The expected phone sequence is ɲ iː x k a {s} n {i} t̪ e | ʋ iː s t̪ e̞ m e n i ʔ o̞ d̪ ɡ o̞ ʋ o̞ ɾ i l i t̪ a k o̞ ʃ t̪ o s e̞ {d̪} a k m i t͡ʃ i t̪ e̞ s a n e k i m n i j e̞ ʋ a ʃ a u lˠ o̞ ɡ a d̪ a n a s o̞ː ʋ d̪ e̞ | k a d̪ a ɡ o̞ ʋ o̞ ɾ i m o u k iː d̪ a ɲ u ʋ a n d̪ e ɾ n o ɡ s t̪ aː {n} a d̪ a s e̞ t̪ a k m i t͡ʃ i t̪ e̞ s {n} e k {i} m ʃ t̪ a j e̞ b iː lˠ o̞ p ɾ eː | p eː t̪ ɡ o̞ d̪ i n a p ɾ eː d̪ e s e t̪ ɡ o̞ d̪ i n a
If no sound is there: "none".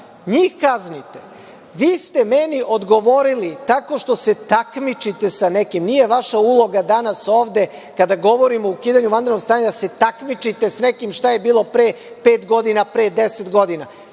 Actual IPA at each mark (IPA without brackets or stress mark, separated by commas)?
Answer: z, i, t̪, ɲ, n, i